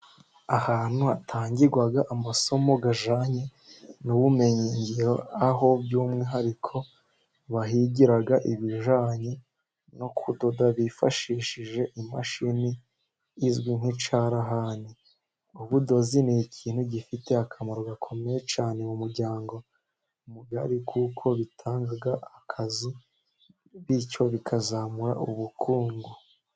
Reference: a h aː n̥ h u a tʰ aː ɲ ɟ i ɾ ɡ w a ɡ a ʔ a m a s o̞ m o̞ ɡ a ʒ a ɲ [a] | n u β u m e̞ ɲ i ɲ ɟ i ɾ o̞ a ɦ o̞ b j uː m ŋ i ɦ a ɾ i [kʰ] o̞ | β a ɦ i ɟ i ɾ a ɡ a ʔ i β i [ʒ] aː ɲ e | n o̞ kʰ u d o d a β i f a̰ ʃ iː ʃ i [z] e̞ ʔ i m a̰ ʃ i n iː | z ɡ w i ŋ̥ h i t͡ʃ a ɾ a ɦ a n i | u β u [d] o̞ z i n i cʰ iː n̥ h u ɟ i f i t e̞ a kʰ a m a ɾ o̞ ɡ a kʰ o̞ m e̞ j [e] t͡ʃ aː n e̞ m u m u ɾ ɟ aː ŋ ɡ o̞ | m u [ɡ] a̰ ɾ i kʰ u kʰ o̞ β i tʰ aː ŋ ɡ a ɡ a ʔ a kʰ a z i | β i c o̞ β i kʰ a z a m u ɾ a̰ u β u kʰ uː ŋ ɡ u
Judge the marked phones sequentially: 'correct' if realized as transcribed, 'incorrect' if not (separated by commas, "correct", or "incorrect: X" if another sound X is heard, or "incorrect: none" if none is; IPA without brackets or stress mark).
incorrect: e, correct, correct, incorrect: ʒ, correct, correct, correct